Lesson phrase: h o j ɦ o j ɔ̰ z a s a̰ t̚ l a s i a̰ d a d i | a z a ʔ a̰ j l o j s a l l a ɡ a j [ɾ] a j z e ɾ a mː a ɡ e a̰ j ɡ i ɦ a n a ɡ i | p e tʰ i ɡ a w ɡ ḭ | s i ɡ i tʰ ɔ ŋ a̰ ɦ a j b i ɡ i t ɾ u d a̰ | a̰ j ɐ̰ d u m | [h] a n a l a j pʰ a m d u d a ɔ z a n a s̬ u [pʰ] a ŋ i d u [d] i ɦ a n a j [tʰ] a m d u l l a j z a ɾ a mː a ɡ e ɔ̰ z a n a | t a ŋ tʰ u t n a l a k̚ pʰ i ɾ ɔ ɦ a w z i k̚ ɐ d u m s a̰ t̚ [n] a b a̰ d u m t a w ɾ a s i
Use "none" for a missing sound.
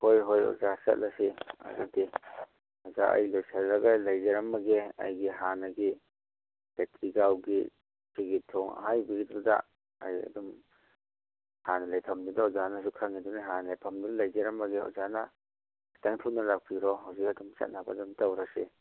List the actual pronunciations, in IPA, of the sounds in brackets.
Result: l, h, kʰ, n, pʰ, n

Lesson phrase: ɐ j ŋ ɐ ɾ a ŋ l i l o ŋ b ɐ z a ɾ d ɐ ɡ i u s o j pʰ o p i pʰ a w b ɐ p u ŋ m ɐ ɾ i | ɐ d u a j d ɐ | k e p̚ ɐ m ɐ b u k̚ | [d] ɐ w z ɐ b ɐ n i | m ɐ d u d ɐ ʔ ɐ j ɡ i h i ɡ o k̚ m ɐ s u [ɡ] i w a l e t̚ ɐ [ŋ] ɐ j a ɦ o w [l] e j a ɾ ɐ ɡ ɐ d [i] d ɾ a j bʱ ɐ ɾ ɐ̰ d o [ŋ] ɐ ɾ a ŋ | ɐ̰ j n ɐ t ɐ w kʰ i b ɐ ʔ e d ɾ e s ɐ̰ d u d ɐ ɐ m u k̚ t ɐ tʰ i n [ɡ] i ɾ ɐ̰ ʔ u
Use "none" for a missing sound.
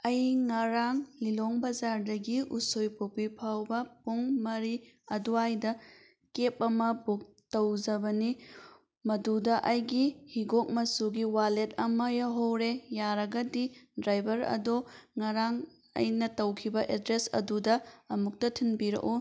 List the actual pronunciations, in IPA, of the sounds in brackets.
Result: t, ɡ, m, ɾ, i, ŋ, b

